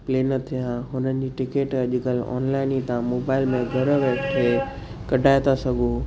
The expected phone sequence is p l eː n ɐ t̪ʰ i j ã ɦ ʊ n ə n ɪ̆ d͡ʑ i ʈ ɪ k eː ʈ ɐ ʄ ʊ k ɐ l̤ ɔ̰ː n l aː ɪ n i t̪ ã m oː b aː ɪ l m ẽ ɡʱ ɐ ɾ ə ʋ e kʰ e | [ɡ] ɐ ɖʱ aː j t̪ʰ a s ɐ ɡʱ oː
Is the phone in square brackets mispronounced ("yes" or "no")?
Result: yes